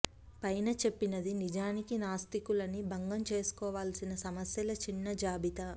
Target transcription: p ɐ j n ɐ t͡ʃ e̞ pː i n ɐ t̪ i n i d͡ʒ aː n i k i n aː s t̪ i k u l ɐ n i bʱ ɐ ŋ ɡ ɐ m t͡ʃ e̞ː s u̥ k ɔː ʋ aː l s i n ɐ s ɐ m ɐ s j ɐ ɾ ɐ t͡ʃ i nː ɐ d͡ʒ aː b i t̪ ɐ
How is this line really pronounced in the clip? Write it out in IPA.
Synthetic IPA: p ɐ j n ɐ t͡ʃ e̞ pː i n ɐ d̪ i n i d͡ʒ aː n i k i n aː s t̪ i k u l ɐ n i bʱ ɐ ŋ ɡ ɐ m t͡ʃ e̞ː s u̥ k ɔː ʋ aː l s i n ɐ s ɐ m ɐ s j ɐ l ɐ t͡ʃ i nː ɐ d͡ʒ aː b i t̪ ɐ